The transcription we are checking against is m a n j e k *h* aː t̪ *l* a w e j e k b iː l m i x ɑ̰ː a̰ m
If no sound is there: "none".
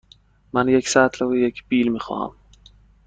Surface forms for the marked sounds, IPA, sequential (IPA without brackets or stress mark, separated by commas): s, l